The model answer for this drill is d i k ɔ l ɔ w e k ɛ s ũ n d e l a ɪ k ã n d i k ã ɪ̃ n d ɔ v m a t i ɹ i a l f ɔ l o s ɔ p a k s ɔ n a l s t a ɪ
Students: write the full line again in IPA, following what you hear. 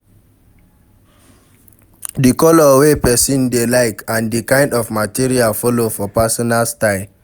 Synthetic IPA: d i k ɔ l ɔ w e p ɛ s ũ n d e l a ɪ k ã n d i k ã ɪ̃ n d ɔ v m a t i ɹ i a l f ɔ l o f ɔ p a s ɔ n a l s t a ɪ